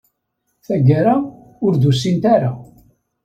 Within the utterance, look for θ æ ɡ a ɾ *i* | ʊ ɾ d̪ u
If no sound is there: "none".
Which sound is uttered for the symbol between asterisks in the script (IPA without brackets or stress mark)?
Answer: a